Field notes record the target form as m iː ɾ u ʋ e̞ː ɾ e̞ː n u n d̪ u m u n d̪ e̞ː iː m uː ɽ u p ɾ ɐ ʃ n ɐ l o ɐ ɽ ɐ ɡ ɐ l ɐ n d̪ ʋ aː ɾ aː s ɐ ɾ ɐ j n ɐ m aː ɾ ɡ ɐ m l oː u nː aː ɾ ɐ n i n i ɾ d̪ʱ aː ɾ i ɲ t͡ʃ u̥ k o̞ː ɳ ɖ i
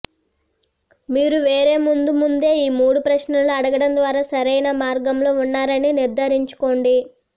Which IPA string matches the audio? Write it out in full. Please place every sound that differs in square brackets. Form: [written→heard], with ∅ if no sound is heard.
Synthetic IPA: m iː ɾ u ʋ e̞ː ɾ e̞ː [n→m] u n d̪ u m u n d̪ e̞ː iː m uː ɽ u p ɾ ɐ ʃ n ɐ l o ɐ ɽ ɐ ɡ ɐ [l→ɽ] ɐ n d̪ ʋ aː ɾ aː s ɐ ɾ ɐ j n ɐ m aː ɾ ɡ ɐ m l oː u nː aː ɾ ɐ n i n i ɾ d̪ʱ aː ɾ i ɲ t͡ʃ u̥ k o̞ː ɳ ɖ i